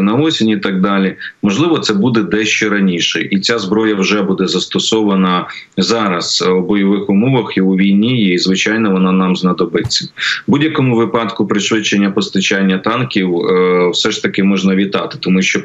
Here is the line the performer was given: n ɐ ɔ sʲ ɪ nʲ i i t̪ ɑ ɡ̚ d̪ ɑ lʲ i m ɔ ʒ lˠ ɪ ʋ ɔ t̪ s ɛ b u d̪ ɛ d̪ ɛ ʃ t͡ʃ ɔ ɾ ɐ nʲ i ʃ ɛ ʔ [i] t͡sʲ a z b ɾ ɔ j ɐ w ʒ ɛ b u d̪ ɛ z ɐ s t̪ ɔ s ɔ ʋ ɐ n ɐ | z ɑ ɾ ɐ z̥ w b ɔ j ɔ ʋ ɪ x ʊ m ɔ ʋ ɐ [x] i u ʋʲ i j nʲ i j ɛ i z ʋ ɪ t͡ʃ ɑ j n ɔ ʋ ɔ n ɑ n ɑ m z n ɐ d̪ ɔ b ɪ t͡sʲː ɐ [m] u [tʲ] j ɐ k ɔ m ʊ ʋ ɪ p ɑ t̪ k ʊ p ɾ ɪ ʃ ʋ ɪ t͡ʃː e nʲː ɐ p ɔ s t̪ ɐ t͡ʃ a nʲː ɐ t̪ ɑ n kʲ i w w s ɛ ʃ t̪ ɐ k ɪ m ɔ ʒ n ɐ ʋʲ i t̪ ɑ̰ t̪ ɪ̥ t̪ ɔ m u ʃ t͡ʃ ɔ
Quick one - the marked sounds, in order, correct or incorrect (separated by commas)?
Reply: correct, correct, incorrect, incorrect